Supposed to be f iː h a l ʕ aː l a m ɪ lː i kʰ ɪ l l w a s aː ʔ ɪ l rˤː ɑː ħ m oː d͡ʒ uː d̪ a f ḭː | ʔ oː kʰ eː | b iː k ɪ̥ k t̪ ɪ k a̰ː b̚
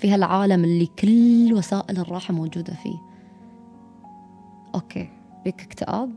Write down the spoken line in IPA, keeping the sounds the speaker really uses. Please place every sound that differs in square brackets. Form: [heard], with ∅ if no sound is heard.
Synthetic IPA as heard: f iː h a l ʕ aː l a m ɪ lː i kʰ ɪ l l w a s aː ʔ ɪ l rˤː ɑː ħ m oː d͡ʒ uː d̪ a f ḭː | ʔ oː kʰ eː | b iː k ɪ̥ k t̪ ɪ [ʔ] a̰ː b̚